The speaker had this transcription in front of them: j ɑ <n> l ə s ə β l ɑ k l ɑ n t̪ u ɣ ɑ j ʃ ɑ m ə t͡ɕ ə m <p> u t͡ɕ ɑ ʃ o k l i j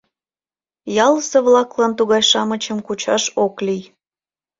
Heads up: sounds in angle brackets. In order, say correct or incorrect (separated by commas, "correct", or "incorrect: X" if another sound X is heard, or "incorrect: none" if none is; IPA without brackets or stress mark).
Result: incorrect: none, incorrect: k